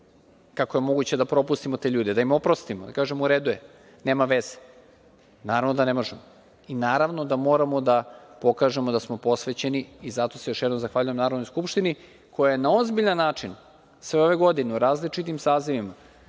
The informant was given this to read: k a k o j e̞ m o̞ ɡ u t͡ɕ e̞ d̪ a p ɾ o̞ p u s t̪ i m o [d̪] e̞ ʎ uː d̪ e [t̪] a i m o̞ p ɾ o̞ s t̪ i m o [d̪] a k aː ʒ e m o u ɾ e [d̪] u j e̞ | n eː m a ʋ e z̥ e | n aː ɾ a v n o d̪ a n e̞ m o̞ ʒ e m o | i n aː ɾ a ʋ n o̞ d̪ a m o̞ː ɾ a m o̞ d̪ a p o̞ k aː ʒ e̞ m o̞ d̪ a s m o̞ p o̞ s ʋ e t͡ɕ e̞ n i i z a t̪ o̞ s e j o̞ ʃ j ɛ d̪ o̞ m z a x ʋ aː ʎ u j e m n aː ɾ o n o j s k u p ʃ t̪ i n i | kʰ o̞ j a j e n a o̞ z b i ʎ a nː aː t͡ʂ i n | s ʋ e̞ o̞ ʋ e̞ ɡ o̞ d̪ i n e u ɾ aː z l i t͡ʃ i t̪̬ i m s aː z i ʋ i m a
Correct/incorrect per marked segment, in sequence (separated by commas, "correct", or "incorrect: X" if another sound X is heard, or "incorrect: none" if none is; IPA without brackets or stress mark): incorrect: t̪, incorrect: d̪, correct, correct